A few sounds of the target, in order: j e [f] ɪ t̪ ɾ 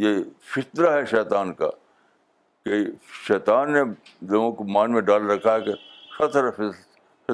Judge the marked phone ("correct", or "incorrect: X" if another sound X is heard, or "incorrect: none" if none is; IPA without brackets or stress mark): correct